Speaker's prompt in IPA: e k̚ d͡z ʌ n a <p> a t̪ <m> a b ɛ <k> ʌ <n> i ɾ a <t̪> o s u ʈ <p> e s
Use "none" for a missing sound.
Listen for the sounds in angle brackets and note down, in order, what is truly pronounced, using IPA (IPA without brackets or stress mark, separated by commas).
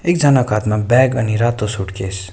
k, m, ɡ, n, t̪, k